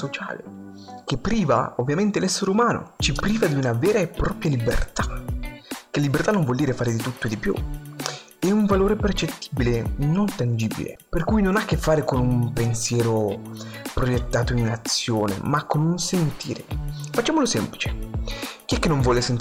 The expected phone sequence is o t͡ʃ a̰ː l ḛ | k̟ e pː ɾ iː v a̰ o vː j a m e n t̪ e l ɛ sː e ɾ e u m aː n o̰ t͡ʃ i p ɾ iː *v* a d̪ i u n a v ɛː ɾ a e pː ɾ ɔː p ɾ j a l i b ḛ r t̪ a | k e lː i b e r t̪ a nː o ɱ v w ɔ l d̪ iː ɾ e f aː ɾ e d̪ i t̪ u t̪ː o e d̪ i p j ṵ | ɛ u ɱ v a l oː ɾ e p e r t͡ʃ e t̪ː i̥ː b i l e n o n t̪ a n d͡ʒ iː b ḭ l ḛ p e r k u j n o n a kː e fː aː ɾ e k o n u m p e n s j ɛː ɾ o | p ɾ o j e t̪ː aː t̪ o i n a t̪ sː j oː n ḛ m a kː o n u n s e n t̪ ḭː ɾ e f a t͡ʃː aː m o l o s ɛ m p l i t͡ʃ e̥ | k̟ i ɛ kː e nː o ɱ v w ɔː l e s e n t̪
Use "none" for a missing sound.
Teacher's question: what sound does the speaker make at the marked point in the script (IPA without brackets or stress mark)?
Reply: v